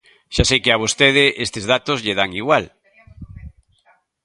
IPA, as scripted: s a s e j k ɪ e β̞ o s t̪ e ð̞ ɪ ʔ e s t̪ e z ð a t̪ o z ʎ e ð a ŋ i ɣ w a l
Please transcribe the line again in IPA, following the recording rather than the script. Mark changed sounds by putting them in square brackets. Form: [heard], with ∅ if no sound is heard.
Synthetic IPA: [ʃ] a s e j k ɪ [a] β̞ o s t̪ e ð̞ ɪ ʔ e s t̪ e z ð a t̪ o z ʎ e ð a ŋ i ɣ w a l